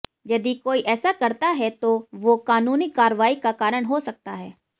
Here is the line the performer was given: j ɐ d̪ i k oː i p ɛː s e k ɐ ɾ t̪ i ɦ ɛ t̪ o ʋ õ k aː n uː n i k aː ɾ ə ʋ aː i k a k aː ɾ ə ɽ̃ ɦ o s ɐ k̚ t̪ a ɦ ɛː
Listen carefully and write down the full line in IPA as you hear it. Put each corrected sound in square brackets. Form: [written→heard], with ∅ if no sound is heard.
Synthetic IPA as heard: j ɐ d̪ i k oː i [p→ʔ] ɛː s [e→a] k ɐ ɾ t̪ [i→a] ɦ ɛ t̪ o ʋ [õ→o] k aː n uː n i k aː ɾ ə ʋ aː i k a k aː ɾ ə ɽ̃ ɦ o s ɐ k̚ t̪ a ɦ ɛː